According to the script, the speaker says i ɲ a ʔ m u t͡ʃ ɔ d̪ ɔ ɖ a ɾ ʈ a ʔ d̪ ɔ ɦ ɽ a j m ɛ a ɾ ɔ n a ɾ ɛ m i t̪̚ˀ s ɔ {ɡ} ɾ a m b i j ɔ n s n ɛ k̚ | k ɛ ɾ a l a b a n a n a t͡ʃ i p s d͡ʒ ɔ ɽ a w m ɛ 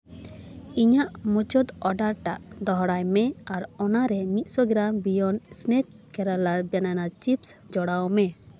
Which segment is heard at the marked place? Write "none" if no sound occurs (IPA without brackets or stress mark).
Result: ɡ